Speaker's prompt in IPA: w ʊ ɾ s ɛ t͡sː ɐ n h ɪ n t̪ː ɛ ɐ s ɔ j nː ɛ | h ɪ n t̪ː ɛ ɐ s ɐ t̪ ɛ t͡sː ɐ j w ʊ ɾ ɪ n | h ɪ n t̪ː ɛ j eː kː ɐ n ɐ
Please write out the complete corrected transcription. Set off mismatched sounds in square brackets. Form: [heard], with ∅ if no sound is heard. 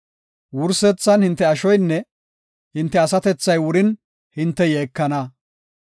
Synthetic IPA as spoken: w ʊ ɾ s ɛ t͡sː ɐ n h ɪ n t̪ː ɛ ɐ [ʃ] ɔ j nː ɛ | h ɪ n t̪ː ɛ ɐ s ɐ t̪ ɛ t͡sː ɐ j w ʊ ɾ ɪ n | h ɪ n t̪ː ɛ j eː kː ɐ n ɐ

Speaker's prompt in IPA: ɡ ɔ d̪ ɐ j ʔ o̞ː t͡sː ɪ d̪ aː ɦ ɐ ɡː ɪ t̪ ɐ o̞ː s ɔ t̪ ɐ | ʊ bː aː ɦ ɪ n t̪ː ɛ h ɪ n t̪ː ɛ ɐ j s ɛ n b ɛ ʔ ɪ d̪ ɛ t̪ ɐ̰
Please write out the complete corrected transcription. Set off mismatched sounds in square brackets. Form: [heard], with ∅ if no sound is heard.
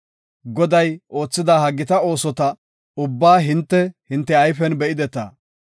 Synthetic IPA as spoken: ɡ ɔ d̪ ɐ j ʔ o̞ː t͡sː ɪ d̪ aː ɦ ɐ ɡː ɪ t̪ ɐ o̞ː s ɔ t̪ ɐ | ʊ bː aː ɦ ɪ n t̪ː ɛ h ɪ n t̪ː ɛ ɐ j [f] ɛ n b ɛ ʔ ɪ d̪ ɛ t̪ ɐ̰

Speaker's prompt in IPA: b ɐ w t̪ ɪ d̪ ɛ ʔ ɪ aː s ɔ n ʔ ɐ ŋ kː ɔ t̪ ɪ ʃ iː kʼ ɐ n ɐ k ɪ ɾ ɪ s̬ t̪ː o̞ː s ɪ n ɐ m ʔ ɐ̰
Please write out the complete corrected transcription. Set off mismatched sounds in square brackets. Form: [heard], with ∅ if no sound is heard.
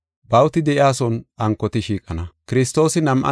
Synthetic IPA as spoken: b ɐ w t̪ ɪ d̪ ɛ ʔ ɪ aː s ɔ n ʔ ɐ ŋ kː ɔ t̪ ɪ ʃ iː kʼ ɐ n ɐ k ɪ ɾ ɪ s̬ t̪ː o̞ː s ɪ n ɐ m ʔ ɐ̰

